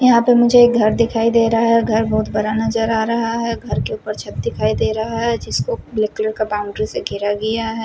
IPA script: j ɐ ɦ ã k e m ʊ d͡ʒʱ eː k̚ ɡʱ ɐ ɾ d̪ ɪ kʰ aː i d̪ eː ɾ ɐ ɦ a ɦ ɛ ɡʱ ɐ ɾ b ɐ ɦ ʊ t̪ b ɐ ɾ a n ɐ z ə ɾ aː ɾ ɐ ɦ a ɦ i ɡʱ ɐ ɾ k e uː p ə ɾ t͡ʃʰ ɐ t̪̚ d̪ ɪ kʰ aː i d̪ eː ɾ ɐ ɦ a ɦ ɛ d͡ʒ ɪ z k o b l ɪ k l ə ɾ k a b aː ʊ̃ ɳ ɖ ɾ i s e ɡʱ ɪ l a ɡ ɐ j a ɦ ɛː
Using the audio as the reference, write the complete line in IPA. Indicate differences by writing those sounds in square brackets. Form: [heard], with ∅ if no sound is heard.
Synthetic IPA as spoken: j ɐ ɦ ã [p] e m ʊ d͡ʒʱ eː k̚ ɡʱ ɐ ɾ d̪ ɪ kʰ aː i d̪ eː ɾ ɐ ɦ a ɦ ɛ ɡʱ ɐ ɾ b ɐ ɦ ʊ t̪ b ɐ ɾ a n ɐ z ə ɾ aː ɾ ɐ ɦ a ɦ [ɛ] ɡʱ ɐ ɾ k e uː p ə ɾ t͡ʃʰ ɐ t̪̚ d̪ ɪ kʰ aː i d̪ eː ɾ ɐ ɦ a ɦ ɛ d͡ʒ ɪ [s] k o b l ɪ k l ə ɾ k a b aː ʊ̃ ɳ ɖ ɾ i s e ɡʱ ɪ [ɾ] a ɡ ɐ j a ɦ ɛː